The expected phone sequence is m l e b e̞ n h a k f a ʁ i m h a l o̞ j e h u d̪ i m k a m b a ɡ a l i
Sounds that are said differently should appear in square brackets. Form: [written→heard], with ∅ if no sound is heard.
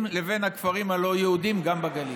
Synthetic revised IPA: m l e [b→v] e̞ n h a k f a ʁ i m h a l o̞ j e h u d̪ i m [k→ɡ] a m b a ɡ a l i

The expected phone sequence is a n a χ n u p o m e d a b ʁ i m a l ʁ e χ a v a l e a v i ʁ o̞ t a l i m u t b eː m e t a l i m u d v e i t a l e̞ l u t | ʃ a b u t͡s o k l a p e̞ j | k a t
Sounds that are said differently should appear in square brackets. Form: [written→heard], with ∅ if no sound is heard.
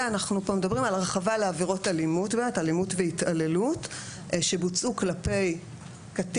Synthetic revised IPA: a n a χ n u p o m e d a b ʁ i m a l ʁ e χ a v a l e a v i ʁ o̞ t a l i m u t b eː m e t a l i m u [d→t] v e i t a l e̞ l u t | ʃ [a→e] b u t͡s [o→u] k l a p e̞ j | k a t

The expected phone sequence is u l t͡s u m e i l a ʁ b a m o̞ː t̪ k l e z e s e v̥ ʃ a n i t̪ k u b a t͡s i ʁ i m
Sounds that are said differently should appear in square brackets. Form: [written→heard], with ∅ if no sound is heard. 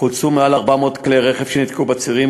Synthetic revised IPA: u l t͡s u m e [i→a] l a ʁ b a m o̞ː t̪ k l e [z→ʁ] e [s→χ] e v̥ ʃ [a→e] n i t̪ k u b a t͡s i ʁ i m

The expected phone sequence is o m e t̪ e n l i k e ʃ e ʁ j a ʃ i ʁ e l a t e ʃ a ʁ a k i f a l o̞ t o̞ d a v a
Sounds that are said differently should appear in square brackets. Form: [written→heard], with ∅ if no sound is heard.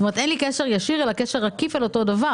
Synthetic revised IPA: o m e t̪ e n l i k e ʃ e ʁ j a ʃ i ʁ e l a [t→k] e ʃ [a→e] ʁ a k i f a l o̞ t o̞ d a v a

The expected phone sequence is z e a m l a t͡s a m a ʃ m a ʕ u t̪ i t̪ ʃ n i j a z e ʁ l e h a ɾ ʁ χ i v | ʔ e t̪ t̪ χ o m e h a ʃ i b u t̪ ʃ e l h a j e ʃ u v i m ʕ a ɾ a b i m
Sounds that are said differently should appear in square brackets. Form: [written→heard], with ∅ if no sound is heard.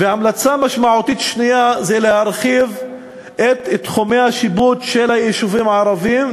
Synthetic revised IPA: [z→v] e a m l a t͡s a m a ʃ m a ʕ u t̪ i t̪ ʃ n i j a z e [ʁ→∅] l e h a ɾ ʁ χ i v | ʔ e t̪ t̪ χ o m e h a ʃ i b u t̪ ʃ e l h a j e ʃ u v i m ʕ a ɾ a [b→v] i m

